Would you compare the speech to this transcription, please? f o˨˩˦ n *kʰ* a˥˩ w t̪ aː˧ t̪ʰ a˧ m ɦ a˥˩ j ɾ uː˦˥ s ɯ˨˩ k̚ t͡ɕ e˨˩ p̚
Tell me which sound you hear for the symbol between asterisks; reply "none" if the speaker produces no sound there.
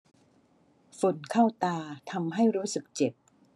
kʰ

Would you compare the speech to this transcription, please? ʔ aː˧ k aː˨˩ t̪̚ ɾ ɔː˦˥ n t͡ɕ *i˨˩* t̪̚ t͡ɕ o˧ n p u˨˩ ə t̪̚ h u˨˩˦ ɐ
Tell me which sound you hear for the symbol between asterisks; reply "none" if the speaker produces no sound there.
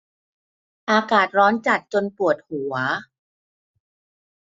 a˨˩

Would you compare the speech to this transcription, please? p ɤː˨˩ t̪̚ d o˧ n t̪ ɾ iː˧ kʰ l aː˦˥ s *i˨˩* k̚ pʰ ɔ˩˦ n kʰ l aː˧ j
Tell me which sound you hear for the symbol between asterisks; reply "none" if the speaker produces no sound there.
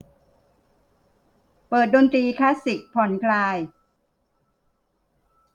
i˨˩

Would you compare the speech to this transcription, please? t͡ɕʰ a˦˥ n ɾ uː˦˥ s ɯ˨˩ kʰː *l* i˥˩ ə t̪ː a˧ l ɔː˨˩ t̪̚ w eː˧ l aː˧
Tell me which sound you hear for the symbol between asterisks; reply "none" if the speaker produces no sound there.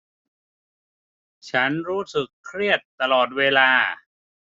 ɾ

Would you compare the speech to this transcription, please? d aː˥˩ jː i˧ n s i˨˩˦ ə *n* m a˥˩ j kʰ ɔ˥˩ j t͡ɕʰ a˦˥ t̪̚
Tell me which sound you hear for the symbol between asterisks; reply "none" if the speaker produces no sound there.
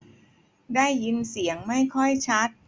ŋ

